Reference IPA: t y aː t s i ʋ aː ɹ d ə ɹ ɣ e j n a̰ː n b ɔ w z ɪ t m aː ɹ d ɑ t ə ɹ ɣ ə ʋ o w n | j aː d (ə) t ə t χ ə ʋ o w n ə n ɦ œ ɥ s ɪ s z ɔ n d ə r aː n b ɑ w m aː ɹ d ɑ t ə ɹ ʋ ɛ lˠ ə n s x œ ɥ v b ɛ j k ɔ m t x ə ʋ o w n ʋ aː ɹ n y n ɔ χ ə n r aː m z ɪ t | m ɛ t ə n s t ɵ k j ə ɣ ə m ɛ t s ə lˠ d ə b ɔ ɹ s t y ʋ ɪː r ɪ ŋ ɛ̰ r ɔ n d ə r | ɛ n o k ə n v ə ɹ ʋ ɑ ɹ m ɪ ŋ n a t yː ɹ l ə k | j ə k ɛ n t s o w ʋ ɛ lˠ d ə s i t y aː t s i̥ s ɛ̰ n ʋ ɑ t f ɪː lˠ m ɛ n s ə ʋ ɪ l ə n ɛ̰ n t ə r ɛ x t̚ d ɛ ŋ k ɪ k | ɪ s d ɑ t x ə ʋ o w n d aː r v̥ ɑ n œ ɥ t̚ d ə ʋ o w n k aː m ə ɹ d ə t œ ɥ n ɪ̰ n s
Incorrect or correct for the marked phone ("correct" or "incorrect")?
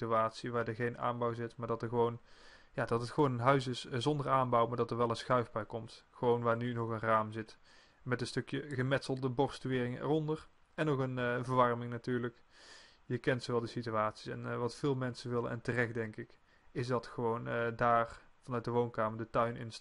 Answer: incorrect